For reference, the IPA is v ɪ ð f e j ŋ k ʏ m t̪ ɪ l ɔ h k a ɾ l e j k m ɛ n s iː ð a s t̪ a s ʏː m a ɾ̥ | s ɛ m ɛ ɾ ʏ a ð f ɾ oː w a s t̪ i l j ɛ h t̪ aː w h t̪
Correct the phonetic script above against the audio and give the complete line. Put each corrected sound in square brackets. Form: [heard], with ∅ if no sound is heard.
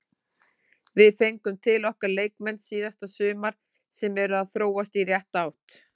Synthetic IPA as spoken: v ɪ ð f e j ŋ k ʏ m [t̪ʰ] ɪ l ɔ h k a ɾ l e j k m ɛ n s iː ð a s t̪ a s ʏː m a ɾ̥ | s ɛ m ɛ ɾ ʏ a ð [θ] ɾ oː w a s t̪ i [r] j ɛ h t̪ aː w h t̪